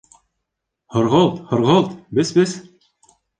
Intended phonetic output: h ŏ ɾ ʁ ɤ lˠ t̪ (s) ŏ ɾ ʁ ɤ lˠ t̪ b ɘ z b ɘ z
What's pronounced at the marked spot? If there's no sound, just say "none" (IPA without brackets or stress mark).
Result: h